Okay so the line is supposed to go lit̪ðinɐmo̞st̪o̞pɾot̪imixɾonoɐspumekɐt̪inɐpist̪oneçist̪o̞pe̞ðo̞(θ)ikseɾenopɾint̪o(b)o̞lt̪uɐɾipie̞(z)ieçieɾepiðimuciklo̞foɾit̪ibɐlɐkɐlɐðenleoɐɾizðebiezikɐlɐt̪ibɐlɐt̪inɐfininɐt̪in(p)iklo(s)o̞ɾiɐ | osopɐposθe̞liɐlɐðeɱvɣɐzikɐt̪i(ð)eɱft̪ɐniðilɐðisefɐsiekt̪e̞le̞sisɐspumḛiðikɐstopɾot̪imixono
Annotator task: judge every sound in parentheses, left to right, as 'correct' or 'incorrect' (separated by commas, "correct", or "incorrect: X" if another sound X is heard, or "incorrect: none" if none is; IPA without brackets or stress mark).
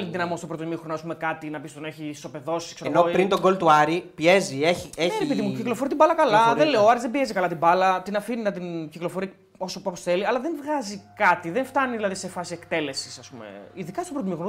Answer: incorrect: s, incorrect: ɡ, correct, incorrect: c, incorrect: f, correct